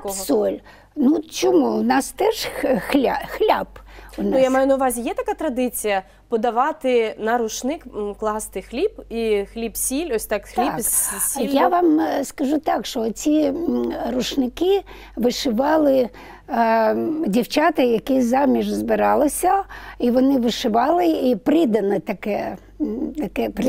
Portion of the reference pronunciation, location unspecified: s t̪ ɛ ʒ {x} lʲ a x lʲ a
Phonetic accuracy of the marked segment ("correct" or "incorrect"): correct